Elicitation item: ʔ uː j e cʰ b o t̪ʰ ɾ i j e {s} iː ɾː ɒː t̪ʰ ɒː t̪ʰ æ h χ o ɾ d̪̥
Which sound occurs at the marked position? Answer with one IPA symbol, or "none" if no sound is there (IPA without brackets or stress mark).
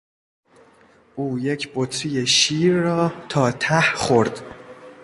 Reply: ʃ